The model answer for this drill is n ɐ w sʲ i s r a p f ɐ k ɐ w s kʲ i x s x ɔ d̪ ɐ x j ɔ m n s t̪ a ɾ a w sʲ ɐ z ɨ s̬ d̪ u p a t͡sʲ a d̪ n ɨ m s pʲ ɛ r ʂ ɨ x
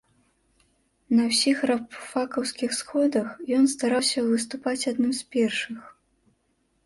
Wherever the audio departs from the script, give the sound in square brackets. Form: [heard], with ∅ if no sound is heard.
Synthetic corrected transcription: n ɐ w sʲ i [x] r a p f [a] k ɐ w s kʲ i x s x ɔ d̪ ɐ x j ɔ [∅] n s t̪ a ɾ a w sʲ ɐ [v] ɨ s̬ [t̪] u p a t͡sʲ a d̪ n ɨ m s pʲ ɛ r ʂ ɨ x